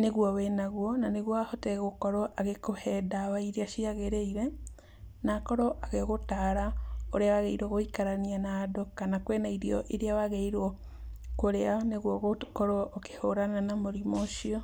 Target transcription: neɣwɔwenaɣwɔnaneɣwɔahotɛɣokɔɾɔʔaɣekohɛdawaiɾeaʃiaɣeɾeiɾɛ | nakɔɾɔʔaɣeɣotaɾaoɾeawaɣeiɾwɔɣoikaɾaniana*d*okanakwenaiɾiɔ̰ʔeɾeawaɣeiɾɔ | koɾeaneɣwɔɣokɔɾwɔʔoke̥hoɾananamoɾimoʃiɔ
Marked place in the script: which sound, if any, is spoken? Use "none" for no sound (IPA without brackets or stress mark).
d